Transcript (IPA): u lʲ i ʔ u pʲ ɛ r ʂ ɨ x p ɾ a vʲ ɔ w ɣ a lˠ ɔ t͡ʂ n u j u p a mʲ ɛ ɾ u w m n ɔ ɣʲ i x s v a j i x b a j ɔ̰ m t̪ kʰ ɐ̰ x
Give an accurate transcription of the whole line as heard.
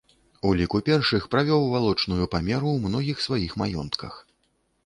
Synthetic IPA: u lʲ i k u pʲ ɛ r ʂ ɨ x p ɾ a vʲ ɔ w v a lˠ ɔ t͡ʂ n u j u p a mʲ ɛ ɾ u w m n ɔ ɣʲ i x s v a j i x m a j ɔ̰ n t̪ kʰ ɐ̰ x